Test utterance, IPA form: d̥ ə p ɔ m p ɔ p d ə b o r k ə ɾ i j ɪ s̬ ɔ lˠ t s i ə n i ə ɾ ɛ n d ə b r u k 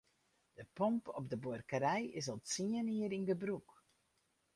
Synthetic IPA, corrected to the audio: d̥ ə p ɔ m p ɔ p d ə b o r k ə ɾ ɛ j ɪ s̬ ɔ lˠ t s i ə n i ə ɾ i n d ə b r u k